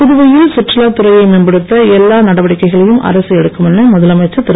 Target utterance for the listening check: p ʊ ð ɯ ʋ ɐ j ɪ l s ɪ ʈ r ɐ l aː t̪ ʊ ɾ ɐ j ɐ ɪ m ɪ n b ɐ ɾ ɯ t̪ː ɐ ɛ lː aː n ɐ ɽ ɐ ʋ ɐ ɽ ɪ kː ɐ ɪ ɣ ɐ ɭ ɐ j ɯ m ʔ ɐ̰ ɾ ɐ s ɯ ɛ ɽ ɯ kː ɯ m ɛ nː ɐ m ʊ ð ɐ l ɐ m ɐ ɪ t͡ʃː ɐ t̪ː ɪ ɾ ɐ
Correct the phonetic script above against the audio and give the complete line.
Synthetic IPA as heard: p ʊ ð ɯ ʋ ɐ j ɪ l s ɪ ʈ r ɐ l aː t̪ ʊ ɾ ɐ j ɐ ɪ m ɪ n b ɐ ɽ ɯ t̪ː ɐ ɛ lː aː n ɐ ɽ ɐ ʋ ɐ ɽ ɪ kː ɐ ɪ ɣ ɐ ɭ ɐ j ɯ m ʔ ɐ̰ ɾ ɐ s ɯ ɛ ɽ ɯ kː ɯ m ɛ nː ɐ m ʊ ð ɐ l ɐ m ɐ ɪ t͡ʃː ɐ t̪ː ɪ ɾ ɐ

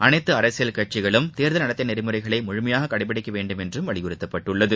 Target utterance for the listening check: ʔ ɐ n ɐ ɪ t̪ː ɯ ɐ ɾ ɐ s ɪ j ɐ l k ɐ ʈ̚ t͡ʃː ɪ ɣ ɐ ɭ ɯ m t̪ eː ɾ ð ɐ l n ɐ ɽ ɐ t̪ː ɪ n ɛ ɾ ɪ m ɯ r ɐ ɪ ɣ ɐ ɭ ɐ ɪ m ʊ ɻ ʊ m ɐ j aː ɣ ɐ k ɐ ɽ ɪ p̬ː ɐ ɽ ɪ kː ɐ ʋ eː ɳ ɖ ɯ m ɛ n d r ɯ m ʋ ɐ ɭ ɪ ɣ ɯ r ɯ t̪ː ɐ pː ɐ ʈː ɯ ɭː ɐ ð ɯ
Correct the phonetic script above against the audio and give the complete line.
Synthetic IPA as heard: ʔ ɐ n ɐ ɪ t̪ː ɯ ɐ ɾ ɐ s ɪ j ɐ l k ɐ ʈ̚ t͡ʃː ɪ ɣ ɐ ɭ ɯ m t̪ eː ɾ ð ɐ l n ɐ ɽ ɐ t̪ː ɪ n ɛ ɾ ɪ m ɯ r ɐ ɪ ɣ ɐ ɭ ɐ ɪ m ʊ ɻ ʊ m ɐ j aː ɣ ɐ k ɐ ɽ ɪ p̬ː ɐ ɽ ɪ kː ɐ ʋ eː ɳ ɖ ɯ m ɛ n d r ɯ m ʋ ɐ ɭ ɪ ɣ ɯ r ɯ t̪ː ɐ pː ɐ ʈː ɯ ɭː ɐ ð ɯ

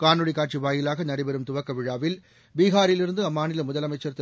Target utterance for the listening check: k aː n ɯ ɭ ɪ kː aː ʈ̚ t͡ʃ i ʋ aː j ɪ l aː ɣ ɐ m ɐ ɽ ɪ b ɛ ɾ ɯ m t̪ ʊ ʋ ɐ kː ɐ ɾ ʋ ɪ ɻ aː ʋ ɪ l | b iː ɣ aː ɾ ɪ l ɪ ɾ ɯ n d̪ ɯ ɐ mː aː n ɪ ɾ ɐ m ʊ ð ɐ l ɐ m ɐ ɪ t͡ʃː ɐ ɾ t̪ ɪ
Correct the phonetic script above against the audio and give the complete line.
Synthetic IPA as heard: k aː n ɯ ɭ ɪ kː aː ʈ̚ t͡ʃ i ʋ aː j ɪ l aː ɣ ɐ n ɐ ɽ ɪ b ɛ ɾ ɯ m t̪ ʊ ʋ ɐ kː ɐ ʋ ɪ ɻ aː ʋ ɪ l | b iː ɣ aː ɾ ɪ l ɪ ɾ ɯ n d̪ ɯ ɐ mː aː n ɪ l ɐ m ʊ ð ɐ l ɐ m ɐ ɪ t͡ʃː ɐ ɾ t̪ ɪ

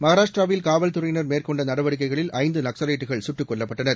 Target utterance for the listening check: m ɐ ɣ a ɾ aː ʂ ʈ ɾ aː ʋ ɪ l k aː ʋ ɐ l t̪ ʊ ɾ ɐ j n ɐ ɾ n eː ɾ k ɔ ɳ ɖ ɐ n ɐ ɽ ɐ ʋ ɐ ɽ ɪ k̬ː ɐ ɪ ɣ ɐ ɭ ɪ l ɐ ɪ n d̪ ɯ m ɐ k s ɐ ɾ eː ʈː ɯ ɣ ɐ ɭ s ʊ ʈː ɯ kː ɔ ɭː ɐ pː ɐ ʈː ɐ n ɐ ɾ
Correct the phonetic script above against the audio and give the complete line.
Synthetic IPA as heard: m ɐ ɣ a ɾ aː ʂ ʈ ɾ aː ʋ ɪ l k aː ʋ ɐ l t̪ ʊ ɾ ɐ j n ɐ ɾ m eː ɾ k ɔ ɳ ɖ ɐ n ɐ ɽ ɐ ʋ ɐ ɽ ɪ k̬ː ɐ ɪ ɣ ɐ ɭ ɪ l ɐ ɪ n d̪ ɯ n ɐ k s ɐ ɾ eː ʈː ɯ ɣ ɐ ɭ s ʊ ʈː ɯ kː ɔ ɭː ɐ pː ɐ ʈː ɐ n ɐ ɾ

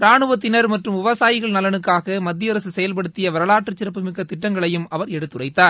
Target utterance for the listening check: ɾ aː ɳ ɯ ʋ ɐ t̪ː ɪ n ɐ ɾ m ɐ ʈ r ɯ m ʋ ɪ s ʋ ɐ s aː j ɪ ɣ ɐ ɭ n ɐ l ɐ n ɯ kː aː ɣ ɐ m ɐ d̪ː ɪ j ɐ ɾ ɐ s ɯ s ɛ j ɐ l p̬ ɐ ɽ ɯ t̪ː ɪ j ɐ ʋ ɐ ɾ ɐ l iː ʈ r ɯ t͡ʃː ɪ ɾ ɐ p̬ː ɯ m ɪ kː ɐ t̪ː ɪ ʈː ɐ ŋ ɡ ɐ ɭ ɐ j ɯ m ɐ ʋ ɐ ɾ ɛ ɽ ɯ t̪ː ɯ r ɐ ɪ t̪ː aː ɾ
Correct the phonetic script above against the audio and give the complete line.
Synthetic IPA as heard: ɾ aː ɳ ɯ ʋ ɐ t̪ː ɪ n ɐ ɾ m ɐ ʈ r ɯ m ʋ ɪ ʋ ɐ s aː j ɪ ɣ ɐ ɭ n ɐ l ɐ n ɯ kː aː ɣ ɐ m ɐ d̪ː ɪ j ɐ ɾ ɐ s ɯ s ɛ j ɐ l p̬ ɐ ɽ ɯ t̪ː ɪ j ɐ ʋ ɐ ɾ ɐ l aː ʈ r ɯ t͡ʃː ɪ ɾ ɐ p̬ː ɯ m ɪ kː ɐ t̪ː ɪ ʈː ɐ ŋ ɡ ɐ ɭ ɐ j ɯ m ɐ ʋ ɐ ɾ ɛ ɽ ɯ t̪ː ɯ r ɐ ɪ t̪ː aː ɾ

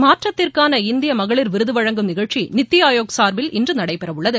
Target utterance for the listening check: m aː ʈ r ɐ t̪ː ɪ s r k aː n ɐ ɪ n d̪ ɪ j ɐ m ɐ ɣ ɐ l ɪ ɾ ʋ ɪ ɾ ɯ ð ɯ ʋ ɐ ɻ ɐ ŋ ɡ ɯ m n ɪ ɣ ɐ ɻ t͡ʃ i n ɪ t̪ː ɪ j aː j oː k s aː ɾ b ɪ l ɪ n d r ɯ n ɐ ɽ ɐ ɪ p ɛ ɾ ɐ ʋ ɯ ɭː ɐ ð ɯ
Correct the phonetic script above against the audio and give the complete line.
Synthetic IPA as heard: m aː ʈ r ɐ t̪ː ɪ r k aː n ɐ ɪ n d̪ ɪ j ɐ m ɐ ɣ ɐ ɭ ɪ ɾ ʋ ɪ ɾ ɯ ð ɯ ʋ ɐ ɻ ɐ ŋ ɡ ɯ m n ɪ ɣ ɐ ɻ t͡ʃ i n ɪ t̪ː ɪ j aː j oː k s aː ɾ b ɪ l ɪ n d r ɯ n ɐ ɽ ɐ ɪ p ɛ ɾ ɐ ʋ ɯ ɭː ɐ ð ɯ

